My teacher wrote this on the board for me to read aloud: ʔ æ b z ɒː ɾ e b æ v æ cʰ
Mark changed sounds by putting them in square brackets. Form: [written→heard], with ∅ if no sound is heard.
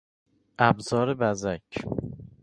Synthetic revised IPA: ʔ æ b z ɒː ɾ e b æ [v→z] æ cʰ

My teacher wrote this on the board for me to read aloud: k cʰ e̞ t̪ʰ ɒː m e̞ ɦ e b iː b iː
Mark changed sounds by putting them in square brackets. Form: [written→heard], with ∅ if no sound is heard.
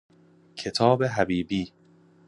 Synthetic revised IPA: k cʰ e̞ t̪ʰ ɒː [m→b] e̞ ɦ [e→æ] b iː b iː

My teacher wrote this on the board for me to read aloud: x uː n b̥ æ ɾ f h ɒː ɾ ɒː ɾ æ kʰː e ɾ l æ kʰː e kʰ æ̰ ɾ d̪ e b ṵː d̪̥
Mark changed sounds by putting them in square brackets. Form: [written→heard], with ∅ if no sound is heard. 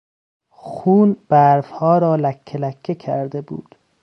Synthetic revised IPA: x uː n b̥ æ ɾ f h ɒː ɾ ɒː [ɾ→l] æ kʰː e [ɾ→∅] l æ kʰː e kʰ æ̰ ɾ d̪ e b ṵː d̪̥

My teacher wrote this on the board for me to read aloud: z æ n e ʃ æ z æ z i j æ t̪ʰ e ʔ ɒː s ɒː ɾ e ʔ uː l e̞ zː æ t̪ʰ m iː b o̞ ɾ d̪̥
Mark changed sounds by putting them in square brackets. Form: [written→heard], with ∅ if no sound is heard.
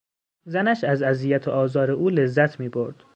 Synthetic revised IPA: z æ n [e→æ] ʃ æ z æ z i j æ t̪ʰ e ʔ ɒː [s→z] ɒː ɾ e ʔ uː l e̞ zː æ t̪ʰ m iː b o̞ ɾ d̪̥

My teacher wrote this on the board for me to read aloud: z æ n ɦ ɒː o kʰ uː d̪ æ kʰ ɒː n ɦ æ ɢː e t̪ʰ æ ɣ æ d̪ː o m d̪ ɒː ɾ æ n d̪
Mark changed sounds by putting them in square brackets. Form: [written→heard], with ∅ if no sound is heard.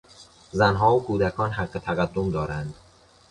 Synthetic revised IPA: z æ n ɦ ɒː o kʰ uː d̪ æ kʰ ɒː n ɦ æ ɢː e t̪ʰ æ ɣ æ d̪ː o m d̪ ɒː ɾ æ n d̪

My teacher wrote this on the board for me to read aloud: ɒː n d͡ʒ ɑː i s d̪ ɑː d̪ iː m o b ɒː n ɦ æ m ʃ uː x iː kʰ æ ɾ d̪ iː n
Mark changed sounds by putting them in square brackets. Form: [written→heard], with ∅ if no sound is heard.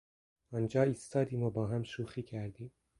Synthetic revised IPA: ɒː n d͡ʒ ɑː i s [d̪→t̪] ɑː d̪ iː m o b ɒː [n→∅] ɦ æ m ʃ uː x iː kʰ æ ɾ d̪ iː [n→m]

